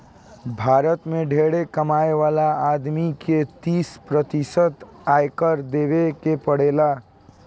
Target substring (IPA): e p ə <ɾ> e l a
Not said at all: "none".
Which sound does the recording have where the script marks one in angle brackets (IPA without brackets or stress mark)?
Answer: ɽ